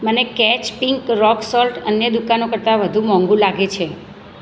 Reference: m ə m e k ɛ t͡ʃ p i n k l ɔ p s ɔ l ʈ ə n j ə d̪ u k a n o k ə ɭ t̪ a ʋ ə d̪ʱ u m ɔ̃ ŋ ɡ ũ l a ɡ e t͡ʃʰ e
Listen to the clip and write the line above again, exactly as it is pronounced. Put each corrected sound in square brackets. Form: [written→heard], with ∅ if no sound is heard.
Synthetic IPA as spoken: m ə [m→n] e k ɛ t͡ʃ p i [n→ŋ] k [l→ɾ] ɔ [p→k] s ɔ l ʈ ə n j ə d̪ u k a n o k ə [ɭ→ɾ] t̪ a ʋ ə d̪ʱ u m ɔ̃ ŋ ɡ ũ l a ɡ e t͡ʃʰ e

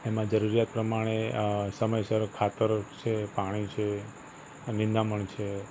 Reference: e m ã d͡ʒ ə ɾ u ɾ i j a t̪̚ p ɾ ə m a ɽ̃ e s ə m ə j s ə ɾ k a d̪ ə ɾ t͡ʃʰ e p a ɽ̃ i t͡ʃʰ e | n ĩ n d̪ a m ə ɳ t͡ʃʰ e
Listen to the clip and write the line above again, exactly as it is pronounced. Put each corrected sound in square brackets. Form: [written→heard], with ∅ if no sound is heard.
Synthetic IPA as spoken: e m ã d͡ʒ ə ɾ u ɾ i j a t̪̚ p ɾ ə m a ɽ̃ e s ə m ə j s ə ɾ [k→kʰ] a [d̪→t̪] ə ɾ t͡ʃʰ e p a ɽ̃ i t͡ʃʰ e | n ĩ n d̪ a m ə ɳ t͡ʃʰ e

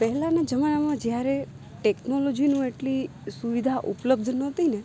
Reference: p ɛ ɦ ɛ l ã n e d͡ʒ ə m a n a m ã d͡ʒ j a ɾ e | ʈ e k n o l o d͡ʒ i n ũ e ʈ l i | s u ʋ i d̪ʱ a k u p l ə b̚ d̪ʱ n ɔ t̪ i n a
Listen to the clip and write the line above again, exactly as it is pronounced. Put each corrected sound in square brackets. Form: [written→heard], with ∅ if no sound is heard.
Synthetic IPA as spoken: p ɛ ɦ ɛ l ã n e d͡ʒ ə m a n a m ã d͡ʒ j a ɾ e | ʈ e k n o l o d͡ʒ i n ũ e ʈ l i | s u ʋ i d̪ʱ a [k→ʔ] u p l ə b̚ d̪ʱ n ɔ t̪ i n [a→e]

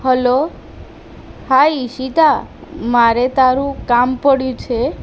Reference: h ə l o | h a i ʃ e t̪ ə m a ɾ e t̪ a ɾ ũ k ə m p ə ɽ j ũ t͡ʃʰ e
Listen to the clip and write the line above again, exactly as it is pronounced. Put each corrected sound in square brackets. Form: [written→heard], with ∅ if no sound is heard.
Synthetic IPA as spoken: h ə l o | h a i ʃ [e→i] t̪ [ə→a] m a ɾ e t̪ a ɾ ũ k [ə→a] m p ə ɽ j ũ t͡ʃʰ e

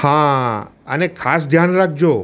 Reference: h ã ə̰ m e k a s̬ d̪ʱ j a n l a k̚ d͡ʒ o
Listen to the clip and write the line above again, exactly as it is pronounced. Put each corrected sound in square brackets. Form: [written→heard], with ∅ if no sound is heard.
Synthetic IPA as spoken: h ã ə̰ [m→n] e [k→kʰ] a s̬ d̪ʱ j a n [l→ɾ] a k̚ d͡ʒ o

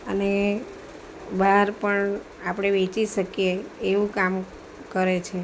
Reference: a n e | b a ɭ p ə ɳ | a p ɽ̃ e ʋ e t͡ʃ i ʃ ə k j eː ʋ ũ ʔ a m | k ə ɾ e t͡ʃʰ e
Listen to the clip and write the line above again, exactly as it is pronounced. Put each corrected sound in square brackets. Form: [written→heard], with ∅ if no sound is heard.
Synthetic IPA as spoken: [a→ə] n e | b a [ɭ→ɾ] p ə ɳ | a p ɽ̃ e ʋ e t͡ʃ i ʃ ə k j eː ʋ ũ [ʔ→k] a m | k ə ɾ e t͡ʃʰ e

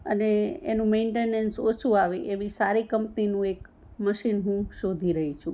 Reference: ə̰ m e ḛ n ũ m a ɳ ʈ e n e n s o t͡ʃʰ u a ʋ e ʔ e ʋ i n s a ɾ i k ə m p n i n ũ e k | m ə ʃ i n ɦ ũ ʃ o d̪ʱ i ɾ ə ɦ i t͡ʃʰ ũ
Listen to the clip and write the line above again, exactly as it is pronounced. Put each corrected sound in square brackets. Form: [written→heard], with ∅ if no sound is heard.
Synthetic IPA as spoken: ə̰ [m→n] e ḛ n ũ m [a→e] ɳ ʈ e n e n s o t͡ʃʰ u a ʋ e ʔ e ʋ i [n→∅] s a ɾ i k ə m p n i n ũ e k | m ə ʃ i n ɦ ũ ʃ o d̪ʱ i ɾ ə ɦ i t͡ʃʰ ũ

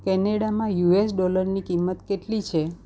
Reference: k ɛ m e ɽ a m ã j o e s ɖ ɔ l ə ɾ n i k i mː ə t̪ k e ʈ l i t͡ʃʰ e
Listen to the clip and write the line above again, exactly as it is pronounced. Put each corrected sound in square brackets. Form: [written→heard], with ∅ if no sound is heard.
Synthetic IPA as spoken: k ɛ [m→n] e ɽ a m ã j [o→u] e s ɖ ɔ l ə ɾ n i k i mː ə t̪ k e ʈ l i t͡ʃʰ e

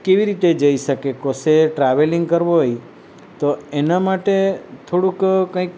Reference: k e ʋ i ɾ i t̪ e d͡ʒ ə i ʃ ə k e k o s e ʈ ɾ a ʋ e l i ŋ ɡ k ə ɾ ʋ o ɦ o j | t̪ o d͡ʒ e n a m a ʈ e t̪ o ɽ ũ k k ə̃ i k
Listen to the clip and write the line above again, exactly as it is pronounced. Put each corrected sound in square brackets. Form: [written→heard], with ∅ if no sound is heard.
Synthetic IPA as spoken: k e ʋ i ɾ i t̪ e d͡ʒ ə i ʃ ə k e k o s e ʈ ɾ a ʋ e l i ŋ ɡ k ə ɾ ʋ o ɦ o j | t̪ o [d͡ʒ→∅] e n a m a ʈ e [t̪→t̪ʰ] o ɽ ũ k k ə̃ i k

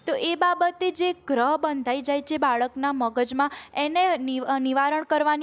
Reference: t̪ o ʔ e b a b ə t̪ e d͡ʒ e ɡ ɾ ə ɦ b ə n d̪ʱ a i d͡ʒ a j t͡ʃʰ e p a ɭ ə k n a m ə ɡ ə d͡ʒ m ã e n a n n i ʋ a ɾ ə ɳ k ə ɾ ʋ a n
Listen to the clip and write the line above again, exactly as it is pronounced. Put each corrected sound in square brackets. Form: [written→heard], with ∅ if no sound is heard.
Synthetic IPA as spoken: t̪ o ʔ e b a b ə t̪ e d͡ʒ e ɡ ɾ ə ɦ b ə n d̪ʱ a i d͡ʒ a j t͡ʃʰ e [p→b] a ɭ ə k n a m ə ɡ ə d͡ʒ m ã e n [a→e] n n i ʋ a ɾ ə ɳ k ə ɾ ʋ a n

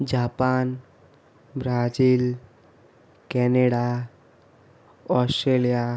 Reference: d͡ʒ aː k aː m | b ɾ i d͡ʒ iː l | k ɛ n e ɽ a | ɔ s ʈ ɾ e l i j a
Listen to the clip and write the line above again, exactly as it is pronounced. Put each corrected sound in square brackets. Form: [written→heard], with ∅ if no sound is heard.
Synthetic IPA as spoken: d͡ʒ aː [k→p] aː [m→n] | b ɾ [i→a] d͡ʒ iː l | k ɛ n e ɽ a | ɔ s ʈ ɾ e l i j a

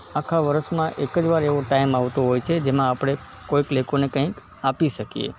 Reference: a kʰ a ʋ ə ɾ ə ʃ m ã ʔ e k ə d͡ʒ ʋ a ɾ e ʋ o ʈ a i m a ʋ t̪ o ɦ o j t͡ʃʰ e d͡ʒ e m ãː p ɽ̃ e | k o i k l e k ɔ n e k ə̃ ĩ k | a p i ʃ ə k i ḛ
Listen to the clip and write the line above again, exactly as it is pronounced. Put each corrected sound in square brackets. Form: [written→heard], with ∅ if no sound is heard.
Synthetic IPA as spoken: a kʰ a ʋ ə ɾ ə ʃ m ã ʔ e k ə d͡ʒ ʋ a ɾ e ʋ o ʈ a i m a ʋ t̪ o ɦ o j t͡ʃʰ e d͡ʒ e m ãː p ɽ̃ e | k o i k l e k [ɔ→o] n e k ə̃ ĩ k | a p i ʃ ə k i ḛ

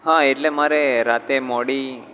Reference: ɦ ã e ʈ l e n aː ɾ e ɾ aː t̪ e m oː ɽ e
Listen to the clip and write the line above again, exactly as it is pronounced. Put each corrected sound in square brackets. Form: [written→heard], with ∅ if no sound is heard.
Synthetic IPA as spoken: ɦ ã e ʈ l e [n→m] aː ɾ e ɾ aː t̪ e m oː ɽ [e→i]

